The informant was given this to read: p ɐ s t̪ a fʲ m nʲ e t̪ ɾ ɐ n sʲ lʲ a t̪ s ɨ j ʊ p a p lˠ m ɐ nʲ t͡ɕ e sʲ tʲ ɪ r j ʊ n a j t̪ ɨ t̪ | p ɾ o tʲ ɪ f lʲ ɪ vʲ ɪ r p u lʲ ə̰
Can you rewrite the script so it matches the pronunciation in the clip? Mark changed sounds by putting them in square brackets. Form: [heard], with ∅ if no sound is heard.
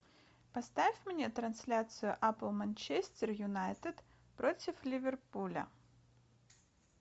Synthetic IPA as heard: p ɐ s t̪ a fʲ m nʲ e t̪ ɾ ɐ n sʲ lʲ a t̪ s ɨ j ʊ [ʔ] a p lˠ m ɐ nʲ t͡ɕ e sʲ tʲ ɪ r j ʊ n a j t̪ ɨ t̪ | p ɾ o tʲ ɪ f lʲ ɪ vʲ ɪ r p u lʲ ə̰

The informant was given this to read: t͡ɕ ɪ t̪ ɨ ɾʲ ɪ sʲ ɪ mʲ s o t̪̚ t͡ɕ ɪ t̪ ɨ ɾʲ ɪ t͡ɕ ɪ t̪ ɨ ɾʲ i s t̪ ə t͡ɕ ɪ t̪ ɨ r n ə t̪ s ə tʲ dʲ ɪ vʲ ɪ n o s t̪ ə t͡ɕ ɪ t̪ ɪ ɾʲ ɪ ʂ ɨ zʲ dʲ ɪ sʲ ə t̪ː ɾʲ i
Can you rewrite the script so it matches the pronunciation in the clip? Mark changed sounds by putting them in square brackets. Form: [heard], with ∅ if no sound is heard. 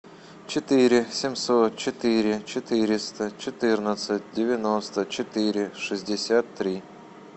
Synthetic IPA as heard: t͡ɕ ɪ t̪ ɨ ɾʲ ɪ sʲ ɪ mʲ s o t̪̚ t͡ɕ ɪ t̪ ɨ ɾʲ ɪ t͡ɕ ɪ t̪ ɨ ɾʲ [ɪ] s t̪ ə t͡ɕ ɪ t̪ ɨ r n ə t̪ s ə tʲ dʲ ɪ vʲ ɪ n o s t̪ ə t͡ɕ ɪ t̪ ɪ ɾʲ ɪ ʂ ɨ zʲ dʲ ɪ sʲ [a] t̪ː ɾʲ i

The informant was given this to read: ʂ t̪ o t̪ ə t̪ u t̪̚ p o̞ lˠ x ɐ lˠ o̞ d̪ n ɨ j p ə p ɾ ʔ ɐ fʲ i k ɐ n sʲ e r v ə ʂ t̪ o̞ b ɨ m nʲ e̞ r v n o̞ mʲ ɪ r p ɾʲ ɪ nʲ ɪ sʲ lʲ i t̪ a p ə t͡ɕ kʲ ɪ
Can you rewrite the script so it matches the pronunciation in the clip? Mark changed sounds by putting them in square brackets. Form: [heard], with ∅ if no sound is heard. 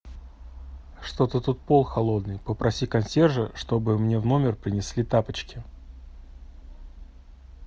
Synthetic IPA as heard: ʂ t̪ o t̪ ə t̪ u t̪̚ p o̞ lˠ x ɐ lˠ o̞ d̪ n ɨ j p ə p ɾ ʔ ɐ [sʲ] i k ɐ n sʲ e r [ʐ] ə ʂ t̪ o̞ b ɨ m nʲ e̞ [∅] v n o̞ mʲ ɪ r p ɾʲ ɪ nʲ ɪ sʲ lʲ i t̪ a p ə t͡ɕ kʲ ɪ

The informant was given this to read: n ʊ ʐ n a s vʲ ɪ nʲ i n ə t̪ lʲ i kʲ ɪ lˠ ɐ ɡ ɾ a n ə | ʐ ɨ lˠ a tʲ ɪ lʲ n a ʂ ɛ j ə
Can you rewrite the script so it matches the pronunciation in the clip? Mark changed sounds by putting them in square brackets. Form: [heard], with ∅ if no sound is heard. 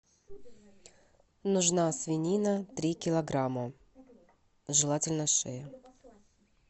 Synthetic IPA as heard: n ʊ ʐ n a s vʲ ɪ nʲ i n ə t̪ [ɾʲ] i kʲ ɪ lˠ ɐ ɡ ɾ a [m] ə | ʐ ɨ lˠ a tʲ ɪ lʲ n [ə] ʂ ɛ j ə

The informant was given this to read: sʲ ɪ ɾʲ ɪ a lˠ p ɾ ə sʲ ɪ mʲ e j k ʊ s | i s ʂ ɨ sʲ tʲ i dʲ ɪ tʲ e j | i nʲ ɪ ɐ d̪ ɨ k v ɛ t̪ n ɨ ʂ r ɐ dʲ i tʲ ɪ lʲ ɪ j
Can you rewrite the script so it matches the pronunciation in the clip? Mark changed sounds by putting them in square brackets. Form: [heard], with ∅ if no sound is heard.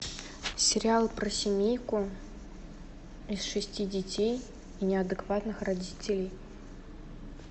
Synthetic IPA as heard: sʲ ɪ ɾʲ ɪ a lˠ p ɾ ə sʲ ɪ mʲ e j k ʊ [∅] | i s ʂ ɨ sʲ tʲ i dʲ ɪ tʲ e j | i nʲ ɪ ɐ d̪ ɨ k v [a] t̪ n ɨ [x] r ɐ dʲ i tʲ ɪ lʲ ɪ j

